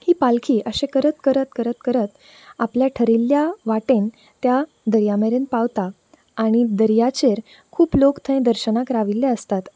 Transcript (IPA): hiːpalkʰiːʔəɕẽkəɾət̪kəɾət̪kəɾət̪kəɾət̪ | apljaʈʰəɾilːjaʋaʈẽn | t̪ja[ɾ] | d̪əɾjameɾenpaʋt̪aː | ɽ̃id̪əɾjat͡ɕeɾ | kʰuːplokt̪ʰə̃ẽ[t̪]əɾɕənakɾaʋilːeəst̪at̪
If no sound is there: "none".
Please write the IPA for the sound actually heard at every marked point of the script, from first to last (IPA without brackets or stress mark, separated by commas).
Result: none, d̪